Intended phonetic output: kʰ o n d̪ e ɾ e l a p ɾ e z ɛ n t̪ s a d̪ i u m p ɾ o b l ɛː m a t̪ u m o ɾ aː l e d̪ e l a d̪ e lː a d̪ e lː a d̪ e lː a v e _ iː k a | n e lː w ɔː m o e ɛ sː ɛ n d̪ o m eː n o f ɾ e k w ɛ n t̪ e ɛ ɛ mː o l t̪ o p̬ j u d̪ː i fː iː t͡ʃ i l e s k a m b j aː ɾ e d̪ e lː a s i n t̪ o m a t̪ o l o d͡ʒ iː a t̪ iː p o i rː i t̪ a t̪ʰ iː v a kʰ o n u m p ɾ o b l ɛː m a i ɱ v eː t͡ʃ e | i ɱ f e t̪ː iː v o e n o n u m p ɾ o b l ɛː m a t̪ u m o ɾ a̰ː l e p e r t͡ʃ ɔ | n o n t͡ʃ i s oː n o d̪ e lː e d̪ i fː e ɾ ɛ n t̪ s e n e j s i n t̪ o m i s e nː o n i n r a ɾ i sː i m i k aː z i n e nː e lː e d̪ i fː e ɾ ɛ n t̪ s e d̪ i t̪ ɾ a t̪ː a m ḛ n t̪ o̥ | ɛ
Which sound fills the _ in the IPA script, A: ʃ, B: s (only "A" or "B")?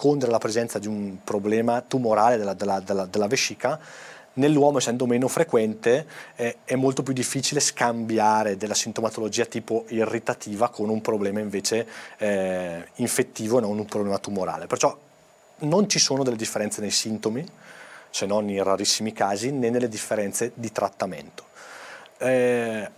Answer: A